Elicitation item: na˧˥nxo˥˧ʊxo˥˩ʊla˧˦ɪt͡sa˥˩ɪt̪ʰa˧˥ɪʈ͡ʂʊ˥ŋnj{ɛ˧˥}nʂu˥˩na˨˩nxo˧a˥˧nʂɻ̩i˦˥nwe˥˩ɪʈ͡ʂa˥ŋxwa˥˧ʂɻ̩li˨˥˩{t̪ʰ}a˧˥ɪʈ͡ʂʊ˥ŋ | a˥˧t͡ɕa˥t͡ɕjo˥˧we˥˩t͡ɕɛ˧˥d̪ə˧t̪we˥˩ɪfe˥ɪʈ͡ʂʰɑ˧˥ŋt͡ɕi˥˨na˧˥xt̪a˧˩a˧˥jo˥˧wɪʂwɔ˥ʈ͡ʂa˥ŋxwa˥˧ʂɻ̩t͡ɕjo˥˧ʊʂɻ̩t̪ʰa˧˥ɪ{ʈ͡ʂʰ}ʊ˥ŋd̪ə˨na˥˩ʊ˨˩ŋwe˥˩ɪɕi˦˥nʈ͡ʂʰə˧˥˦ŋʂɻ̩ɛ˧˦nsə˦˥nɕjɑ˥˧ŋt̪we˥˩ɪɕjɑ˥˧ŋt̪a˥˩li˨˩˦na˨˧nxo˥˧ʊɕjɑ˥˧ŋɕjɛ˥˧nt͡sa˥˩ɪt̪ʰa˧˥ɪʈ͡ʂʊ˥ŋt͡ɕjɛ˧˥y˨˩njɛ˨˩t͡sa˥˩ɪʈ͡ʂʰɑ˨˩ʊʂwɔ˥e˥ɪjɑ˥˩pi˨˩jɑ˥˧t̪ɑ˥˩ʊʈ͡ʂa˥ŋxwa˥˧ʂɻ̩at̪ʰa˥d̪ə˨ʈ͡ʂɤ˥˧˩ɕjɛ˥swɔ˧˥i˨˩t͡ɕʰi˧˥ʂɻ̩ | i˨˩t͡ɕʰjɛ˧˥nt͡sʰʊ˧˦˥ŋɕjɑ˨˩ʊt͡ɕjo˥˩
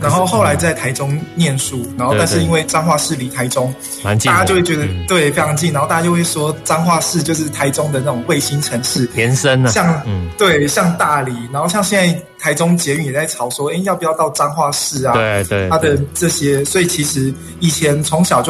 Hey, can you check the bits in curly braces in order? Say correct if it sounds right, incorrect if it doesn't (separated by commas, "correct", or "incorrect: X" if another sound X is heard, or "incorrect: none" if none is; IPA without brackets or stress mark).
incorrect: ɛ˥˨, correct, incorrect: ʈ͡ʂ